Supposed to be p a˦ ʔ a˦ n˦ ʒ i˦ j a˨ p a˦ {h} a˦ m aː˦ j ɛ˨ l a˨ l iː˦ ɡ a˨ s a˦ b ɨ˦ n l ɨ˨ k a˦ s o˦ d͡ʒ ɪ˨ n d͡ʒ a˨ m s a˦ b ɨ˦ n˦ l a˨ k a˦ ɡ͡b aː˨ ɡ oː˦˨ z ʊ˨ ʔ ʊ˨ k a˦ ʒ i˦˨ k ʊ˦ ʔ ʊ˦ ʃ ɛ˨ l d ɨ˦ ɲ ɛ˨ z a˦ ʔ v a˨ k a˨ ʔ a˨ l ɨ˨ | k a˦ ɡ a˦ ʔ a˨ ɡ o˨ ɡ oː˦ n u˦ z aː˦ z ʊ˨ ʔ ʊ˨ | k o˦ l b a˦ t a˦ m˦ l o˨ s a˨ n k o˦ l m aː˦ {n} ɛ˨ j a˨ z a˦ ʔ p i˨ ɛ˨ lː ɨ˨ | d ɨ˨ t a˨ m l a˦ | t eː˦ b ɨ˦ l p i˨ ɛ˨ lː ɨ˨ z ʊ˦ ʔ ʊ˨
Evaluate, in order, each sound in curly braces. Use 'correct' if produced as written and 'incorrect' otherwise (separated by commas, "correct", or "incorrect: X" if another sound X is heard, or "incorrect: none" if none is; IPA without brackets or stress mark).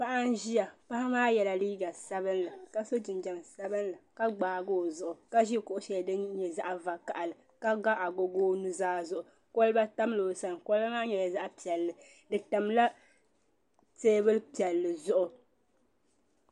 correct, incorrect: ɲ